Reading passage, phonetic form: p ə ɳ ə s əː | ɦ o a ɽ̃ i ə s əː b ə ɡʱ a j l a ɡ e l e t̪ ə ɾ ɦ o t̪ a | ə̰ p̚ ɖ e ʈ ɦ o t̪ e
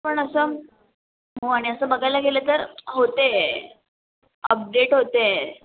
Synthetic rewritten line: p ə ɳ ə s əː | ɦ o a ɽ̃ i ə s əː b ə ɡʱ a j l a ɡ e l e t̪ ə ɾ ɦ o t̪ e | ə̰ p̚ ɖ e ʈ ɦ o t̪ e